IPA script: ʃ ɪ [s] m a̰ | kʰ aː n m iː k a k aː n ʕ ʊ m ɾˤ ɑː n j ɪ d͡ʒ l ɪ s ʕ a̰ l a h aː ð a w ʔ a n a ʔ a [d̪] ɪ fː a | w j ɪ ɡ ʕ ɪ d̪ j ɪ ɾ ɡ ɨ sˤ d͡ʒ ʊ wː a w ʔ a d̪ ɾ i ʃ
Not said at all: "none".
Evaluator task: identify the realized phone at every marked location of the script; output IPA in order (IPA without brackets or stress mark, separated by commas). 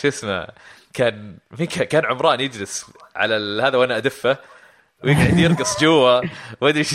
s, d̪